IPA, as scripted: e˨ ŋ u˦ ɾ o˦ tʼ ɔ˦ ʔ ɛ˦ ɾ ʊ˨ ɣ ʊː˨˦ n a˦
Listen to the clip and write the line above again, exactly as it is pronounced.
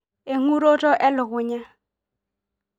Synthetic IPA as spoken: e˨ ŋ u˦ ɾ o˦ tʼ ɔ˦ ʔ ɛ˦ l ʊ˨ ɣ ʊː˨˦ ɲ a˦